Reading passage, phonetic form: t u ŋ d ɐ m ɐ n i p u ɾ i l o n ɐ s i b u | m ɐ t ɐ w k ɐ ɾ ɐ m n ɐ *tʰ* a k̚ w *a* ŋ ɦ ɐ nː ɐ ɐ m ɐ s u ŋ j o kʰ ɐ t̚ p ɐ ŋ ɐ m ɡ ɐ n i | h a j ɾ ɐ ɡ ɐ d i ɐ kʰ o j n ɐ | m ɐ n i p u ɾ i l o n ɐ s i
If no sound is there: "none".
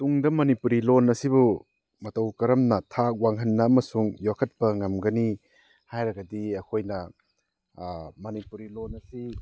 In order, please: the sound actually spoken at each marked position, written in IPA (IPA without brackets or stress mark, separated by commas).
tʰ, a